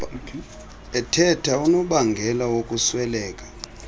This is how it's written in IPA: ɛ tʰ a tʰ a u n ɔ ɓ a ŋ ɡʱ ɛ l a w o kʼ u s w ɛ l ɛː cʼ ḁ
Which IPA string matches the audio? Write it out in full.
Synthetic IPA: ɛ tʰ ɛ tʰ a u n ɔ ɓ a ŋ ɡʱ ɛ l a w o kʼ u s w ɛ l ɛː kʼ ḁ